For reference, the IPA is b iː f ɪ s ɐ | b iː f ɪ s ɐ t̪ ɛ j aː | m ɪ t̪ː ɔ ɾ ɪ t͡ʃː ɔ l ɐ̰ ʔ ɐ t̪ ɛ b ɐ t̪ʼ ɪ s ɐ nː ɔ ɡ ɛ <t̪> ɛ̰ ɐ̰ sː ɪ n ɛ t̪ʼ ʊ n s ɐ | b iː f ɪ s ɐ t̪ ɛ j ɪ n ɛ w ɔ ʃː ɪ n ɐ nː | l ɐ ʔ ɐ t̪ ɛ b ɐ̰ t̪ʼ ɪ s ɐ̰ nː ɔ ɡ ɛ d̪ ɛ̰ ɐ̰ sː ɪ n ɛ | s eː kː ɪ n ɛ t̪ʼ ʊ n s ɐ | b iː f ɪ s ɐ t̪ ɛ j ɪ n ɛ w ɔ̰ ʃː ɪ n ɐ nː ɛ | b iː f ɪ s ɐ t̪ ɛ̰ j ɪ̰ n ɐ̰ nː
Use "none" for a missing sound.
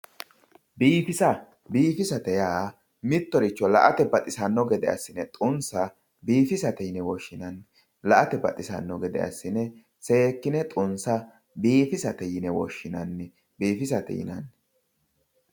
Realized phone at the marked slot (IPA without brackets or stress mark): d̪